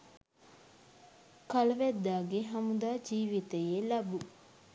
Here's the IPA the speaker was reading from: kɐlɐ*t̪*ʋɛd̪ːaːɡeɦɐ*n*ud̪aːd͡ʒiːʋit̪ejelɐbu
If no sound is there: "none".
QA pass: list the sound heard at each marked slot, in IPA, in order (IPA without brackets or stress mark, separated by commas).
none, m